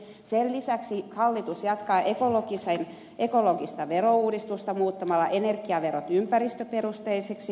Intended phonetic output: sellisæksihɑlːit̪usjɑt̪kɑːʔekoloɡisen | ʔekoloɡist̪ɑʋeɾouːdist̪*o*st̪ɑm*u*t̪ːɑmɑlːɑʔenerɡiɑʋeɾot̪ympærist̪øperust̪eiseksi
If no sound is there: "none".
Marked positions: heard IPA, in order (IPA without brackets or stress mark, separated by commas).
u, uː